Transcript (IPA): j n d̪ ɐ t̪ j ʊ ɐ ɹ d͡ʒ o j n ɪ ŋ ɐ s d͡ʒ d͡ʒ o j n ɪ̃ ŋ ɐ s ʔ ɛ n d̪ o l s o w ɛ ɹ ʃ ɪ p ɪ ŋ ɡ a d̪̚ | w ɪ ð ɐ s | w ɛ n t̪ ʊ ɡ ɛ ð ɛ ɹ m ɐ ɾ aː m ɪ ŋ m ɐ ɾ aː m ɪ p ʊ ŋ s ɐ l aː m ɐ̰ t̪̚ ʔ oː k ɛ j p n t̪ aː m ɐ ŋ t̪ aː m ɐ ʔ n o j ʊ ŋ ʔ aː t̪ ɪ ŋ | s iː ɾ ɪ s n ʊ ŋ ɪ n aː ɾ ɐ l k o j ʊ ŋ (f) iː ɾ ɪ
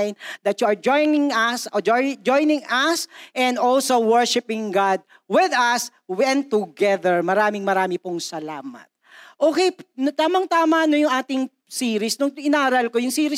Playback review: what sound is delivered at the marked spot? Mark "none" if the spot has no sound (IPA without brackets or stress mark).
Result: s